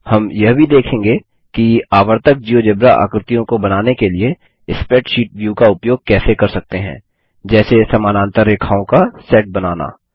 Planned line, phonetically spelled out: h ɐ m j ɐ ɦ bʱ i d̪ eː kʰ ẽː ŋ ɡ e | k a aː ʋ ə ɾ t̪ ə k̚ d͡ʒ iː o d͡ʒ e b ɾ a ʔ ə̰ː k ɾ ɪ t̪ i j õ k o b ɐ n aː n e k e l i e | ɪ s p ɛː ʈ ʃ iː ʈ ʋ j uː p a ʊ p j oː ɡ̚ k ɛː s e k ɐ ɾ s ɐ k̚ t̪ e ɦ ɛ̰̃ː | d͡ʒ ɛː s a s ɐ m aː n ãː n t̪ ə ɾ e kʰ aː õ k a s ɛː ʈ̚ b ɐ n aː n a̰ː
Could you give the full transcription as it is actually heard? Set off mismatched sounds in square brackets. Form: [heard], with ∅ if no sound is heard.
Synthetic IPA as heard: h ɐ m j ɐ ɦ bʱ i d̪ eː kʰ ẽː ŋ ɡ e | k [i] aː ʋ ə ɾ t̪ ə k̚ d͡ʒ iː o d͡ʒ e b ɾ a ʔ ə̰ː k ɾ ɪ t̪ i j õ k o b ɐ n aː n e k e l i e | ɪ s p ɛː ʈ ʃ iː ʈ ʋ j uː [k] a ʊ p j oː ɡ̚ k ɛː s e k ɐ ɾ s ɐ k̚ t̪ e ɦ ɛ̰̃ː | d͡ʒ ɛː s [e] s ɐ m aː n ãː n t̪ ə ɾ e kʰ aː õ k a s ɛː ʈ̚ b ɐ n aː n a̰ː

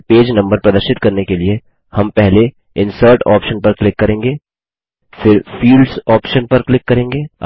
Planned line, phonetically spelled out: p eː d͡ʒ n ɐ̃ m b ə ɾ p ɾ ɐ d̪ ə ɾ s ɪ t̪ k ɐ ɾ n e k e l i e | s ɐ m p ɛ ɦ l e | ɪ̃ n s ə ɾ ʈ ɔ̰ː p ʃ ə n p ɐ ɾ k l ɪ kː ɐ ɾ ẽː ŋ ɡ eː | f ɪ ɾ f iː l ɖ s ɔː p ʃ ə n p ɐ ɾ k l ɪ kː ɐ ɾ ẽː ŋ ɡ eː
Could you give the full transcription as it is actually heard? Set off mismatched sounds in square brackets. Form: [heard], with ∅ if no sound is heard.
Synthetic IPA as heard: p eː d͡ʒ n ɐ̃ m b ə ɾ p ɾ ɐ d̪ ə ɾ [ʃ] ɪ t̪ k ɐ ɾ n e k e l i e | [h] ɐ m p ɛ ɦ l e | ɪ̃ n s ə ɾ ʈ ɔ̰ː p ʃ ə n p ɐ ɾ k l ɪ kː ɐ ɾ ẽː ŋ ɡ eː | f ɪ ɾ f iː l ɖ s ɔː p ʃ ə n p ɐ ɾ k l ɪ kː ɐ ɾ ẽː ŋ ɡ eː

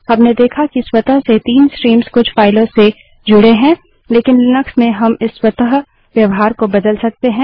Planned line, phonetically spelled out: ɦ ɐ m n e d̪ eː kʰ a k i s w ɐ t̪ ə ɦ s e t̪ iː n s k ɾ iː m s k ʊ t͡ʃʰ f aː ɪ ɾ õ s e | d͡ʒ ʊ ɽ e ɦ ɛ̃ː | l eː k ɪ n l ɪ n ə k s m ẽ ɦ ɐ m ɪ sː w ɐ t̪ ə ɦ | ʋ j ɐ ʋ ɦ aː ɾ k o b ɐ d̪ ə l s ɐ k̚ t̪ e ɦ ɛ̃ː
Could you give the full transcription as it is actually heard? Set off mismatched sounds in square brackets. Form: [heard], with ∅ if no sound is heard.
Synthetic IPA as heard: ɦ ɐ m n e d̪ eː kʰ a k i s w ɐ t̪ ə ɦ s e t̪ iː n s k ɾ iː m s k ʊ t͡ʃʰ f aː ɪ [l] õ s e | d͡ʒ ʊ ɽ e ɦ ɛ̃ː | l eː k ɪ n l ɪ n ə k s m ẽ ɦ ɐ m ɪ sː w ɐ t̪ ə ɦ | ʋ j ɐ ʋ ɦ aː ɾ k o b ɐ d̪ ə l s ɐ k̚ t̪ e ɦ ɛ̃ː

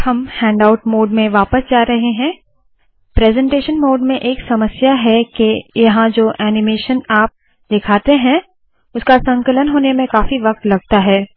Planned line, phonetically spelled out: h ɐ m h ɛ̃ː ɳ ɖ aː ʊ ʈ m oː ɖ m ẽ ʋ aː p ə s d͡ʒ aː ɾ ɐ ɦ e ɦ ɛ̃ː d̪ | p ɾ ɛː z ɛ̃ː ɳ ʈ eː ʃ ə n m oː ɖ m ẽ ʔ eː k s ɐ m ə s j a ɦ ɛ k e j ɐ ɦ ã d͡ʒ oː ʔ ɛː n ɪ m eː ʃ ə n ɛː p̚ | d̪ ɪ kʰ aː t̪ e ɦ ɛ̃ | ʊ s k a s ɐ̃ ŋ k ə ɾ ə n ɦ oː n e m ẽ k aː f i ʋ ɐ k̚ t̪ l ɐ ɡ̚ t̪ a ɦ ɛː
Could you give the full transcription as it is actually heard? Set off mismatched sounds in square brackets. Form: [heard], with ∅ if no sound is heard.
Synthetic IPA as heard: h ɐ m h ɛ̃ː ɳ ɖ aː ʊ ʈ m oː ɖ m ẽ ʋ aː p ə s d͡ʒ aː ɾ ɐ ɦ e ɦ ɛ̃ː [∅] | p ɾ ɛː z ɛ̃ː ɳ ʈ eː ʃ ə n m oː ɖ m ẽ ʔ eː k s ɐ m ə s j a ɦ ɛ k e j ɐ ɦ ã d͡ʒ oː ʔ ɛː n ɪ m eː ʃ ə n [aː] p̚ | d̪ ɪ kʰ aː t̪ e ɦ ɛ̃ | ʊ s k a s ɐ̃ ŋ k ə [l] ə n ɦ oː n e m ẽ k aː f i ʋ ɐ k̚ t̪ l ɐ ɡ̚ t̪ a ɦ ɛː

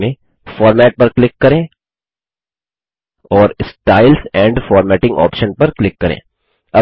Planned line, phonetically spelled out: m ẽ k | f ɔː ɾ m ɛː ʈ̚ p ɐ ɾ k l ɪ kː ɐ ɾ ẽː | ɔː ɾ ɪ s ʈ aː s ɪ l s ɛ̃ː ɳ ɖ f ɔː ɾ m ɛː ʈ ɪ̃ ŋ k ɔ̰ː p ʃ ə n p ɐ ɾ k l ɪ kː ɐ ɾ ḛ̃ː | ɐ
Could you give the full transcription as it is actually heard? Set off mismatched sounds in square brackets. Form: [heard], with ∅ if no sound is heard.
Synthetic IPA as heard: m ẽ [∅] | f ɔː ɾ m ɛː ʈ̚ p ɐ ɾ k l ɪ kː ɐ ɾ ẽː | ɔː ɾ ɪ s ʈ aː [∅] ɪ l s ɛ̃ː ɳ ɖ f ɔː ɾ m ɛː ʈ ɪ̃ ŋ [ɡ] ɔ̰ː p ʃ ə n p ɐ ɾ k l ɪ kː ɐ ɾ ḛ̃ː | ɐ

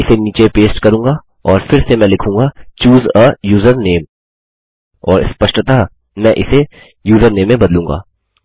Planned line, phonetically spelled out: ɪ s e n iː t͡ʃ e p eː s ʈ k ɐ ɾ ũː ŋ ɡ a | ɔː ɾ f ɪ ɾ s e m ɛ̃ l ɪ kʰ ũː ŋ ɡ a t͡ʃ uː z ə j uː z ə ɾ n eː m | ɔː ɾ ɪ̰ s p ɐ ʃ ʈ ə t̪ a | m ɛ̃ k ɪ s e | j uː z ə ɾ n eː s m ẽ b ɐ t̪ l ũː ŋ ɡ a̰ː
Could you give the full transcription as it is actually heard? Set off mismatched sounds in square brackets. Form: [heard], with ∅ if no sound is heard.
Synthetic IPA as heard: ɪ s e n iː t͡ʃ e p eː s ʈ k ɐ ɾ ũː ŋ ɡ a | ɔː ɾ f ɪ ɾ s e m ɛ̃ l ɪ kʰ ũː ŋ ɡ a t͡ʃ uː z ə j uː z ə ɾ n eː m | ɔː ɾ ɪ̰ s p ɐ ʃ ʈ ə t̪ a | m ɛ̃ [ʔ] ɪ s e | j uː z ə ɾ n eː [∅] m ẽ b ɐ [d̪] l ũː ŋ ɡ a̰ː

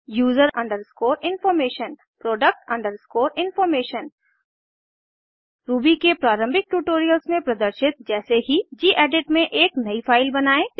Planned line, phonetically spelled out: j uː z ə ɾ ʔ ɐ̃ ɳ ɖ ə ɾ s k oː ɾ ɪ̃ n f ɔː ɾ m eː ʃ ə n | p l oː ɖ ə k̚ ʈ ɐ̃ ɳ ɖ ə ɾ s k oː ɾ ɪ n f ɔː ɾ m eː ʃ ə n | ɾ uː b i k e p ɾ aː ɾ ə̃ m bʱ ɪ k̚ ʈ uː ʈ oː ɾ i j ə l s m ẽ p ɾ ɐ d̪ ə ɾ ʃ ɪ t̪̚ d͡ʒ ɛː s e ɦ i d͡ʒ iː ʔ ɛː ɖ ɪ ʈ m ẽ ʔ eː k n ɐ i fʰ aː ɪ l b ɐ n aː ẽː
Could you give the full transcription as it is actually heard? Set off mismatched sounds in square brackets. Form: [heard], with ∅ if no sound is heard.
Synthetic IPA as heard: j uː z ə ɾ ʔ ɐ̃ ɳ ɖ ə ɾ s k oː ɾ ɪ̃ n f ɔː ɾ m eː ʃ ə n | p [ɾ] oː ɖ ə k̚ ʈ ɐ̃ ɳ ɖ ə ɾ s k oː ɾ ɪ n f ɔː ɾ m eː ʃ ə n | ɾ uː b i k e p ɾ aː ɾ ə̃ m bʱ ɪ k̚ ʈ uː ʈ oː ɾ i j ə l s m ẽ p ɾ ɐ d̪ ə ɾ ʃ ɪ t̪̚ d͡ʒ ɛː s e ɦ i d͡ʒ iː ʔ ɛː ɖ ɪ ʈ m ẽ ʔ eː k n ɐ i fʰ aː ɪ l b ɐ n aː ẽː

